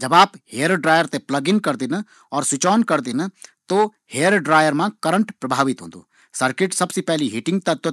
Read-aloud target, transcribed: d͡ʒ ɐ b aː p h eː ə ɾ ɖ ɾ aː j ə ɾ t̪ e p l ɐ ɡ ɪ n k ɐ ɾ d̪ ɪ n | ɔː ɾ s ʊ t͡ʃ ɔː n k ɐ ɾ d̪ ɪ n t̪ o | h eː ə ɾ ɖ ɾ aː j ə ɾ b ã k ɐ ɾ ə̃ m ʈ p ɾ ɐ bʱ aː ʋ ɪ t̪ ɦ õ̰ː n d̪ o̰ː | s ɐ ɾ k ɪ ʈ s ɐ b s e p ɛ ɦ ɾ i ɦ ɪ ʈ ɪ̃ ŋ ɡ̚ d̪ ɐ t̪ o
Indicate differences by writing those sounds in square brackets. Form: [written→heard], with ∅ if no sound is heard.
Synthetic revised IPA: d͡ʒ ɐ b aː p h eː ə ɾ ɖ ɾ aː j ə ɾ t̪ e p l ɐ ɡ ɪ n k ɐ ɾ d̪ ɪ n | ɔː ɾ s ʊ t͡ʃ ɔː n k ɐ ɾ d̪ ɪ n t̪ o | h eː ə ɾ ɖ ɾ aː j ə ɾ [b→m] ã k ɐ ɾ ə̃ [m→ɳ] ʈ p ɾ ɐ bʱ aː ʋ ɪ t̪ ɦ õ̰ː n d̪ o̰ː | s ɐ ɾ k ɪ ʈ s ɐ b s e p ɛ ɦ [ɾ→l] i ɦ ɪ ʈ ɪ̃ ŋ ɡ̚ [d̪→t̪] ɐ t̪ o